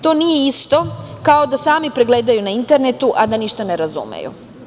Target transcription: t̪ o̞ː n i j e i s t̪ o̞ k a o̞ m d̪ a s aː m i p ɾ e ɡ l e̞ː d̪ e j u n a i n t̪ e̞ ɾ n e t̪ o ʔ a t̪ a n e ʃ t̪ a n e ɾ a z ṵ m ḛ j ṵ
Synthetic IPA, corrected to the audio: t̪ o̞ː n i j e i s t̪ o̞ k a o̞ d̪ a s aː m i p ɾ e ɡ l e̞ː d̪ a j u n a i n t̪ e̞ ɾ n e t̪ u ʔ a d̪ a n i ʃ t̪ a n e ɾ a z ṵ m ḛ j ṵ